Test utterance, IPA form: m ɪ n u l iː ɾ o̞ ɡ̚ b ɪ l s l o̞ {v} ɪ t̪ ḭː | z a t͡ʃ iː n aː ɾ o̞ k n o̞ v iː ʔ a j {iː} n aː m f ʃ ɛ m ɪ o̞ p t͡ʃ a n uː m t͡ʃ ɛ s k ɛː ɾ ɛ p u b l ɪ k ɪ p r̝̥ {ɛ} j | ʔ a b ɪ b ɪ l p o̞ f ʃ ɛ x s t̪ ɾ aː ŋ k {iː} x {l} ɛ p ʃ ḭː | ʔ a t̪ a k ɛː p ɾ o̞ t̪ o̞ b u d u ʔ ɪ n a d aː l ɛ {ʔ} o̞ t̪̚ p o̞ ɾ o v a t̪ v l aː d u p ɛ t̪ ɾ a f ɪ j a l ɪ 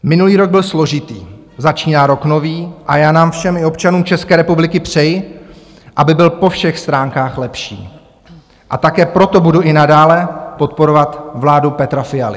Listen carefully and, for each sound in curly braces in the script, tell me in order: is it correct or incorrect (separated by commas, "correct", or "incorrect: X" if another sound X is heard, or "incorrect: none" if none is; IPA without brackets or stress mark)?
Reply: incorrect: ʒ, incorrect: aː, correct, incorrect: aː, correct, incorrect: p